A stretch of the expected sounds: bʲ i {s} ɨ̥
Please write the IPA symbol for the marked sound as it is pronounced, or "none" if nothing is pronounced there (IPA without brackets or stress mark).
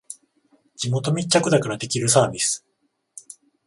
s